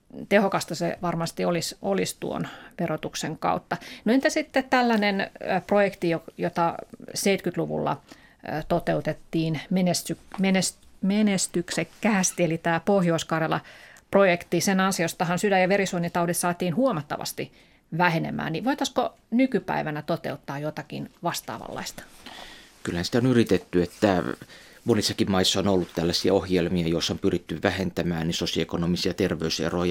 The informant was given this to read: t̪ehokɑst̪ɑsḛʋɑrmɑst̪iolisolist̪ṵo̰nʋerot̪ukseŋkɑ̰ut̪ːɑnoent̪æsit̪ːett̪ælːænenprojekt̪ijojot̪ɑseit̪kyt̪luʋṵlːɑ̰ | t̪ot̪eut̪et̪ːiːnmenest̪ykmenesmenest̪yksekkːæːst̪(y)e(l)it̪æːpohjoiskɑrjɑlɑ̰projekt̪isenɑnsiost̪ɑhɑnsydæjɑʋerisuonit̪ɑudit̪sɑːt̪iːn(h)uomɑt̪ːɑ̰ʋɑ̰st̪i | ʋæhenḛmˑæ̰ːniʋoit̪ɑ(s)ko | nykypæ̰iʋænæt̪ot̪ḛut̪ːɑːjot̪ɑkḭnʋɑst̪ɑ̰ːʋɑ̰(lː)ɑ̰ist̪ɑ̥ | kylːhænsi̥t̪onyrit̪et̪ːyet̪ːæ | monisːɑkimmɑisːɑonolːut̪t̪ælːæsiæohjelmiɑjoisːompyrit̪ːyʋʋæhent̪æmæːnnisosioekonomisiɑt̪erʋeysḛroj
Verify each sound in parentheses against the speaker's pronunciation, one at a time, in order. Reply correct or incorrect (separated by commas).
incorrect, correct, correct, correct, correct